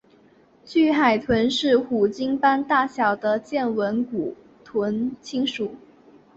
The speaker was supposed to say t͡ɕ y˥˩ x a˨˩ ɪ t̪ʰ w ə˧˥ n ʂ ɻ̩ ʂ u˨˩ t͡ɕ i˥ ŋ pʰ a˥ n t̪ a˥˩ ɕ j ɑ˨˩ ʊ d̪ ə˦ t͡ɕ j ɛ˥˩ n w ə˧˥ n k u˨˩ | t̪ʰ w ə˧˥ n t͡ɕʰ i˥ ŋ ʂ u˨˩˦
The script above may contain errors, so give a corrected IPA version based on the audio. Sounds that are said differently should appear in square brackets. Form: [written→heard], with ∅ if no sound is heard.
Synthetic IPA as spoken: t͡ɕ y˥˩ x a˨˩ ɪ t̪ʰ w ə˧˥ n ʂ ɻ̩ [ʂ→x] u˨˩ t͡ɕ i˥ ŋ [pʰ→p] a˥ n t̪ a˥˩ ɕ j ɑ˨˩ ʊ d̪ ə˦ t͡ɕ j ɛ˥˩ n w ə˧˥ n k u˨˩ | t̪ʰ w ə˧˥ n t͡ɕʰ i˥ ŋ ʂ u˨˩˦